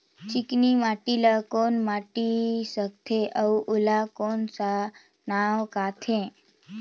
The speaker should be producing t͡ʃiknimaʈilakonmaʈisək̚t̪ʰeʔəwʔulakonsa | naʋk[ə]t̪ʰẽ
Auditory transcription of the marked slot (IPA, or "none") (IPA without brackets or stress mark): a